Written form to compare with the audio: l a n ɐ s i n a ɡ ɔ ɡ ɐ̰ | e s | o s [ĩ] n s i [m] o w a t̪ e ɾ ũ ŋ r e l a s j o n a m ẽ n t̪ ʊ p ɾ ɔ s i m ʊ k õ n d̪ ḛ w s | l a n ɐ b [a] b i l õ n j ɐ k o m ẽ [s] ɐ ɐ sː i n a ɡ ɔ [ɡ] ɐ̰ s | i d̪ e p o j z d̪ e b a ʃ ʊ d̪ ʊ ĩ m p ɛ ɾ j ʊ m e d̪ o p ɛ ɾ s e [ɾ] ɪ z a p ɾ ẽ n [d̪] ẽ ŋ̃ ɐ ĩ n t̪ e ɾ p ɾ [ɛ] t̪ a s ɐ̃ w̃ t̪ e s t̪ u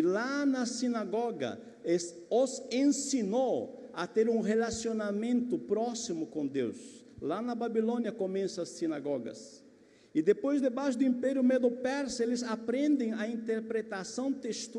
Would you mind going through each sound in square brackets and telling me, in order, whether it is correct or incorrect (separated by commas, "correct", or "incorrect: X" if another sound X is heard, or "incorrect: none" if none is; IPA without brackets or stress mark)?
incorrect: ẽ, incorrect: n, correct, correct, correct, incorrect: l, correct, incorrect: e